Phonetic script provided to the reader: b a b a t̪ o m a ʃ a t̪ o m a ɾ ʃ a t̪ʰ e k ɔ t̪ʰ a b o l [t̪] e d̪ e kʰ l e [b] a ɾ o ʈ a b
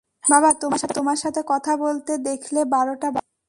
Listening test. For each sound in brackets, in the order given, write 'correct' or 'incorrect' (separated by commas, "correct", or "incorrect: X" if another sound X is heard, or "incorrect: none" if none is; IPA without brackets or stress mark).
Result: correct, correct